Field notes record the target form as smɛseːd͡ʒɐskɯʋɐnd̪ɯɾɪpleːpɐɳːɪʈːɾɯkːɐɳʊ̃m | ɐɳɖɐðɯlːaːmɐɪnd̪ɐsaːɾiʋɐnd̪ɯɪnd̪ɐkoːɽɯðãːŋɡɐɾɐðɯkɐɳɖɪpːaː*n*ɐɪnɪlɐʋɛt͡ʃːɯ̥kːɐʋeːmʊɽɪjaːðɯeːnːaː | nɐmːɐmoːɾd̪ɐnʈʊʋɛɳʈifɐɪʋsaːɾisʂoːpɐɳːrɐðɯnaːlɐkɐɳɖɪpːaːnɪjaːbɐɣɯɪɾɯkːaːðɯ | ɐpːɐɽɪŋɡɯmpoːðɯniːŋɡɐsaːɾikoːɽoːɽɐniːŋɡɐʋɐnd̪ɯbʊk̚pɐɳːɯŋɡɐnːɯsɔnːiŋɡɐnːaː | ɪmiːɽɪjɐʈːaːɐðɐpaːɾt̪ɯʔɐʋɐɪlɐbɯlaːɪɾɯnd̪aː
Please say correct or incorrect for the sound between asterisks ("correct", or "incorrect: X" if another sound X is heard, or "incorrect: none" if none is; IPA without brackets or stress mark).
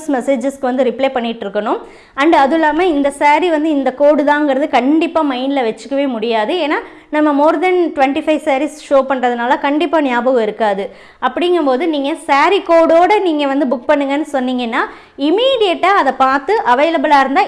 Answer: incorrect: m